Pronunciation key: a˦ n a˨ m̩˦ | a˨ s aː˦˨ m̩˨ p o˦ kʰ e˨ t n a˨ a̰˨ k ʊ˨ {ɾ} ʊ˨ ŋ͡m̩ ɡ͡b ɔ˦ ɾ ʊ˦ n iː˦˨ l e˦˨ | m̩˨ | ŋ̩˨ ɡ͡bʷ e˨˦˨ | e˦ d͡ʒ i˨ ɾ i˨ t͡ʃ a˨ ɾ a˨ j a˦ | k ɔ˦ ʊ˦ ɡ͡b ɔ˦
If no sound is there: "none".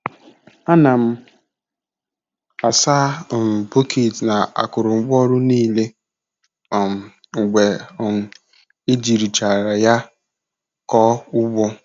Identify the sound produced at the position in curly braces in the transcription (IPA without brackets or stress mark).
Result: ɾ